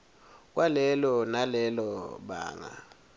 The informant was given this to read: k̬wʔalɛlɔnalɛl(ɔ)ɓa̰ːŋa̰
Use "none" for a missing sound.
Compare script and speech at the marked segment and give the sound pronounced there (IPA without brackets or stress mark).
ɔ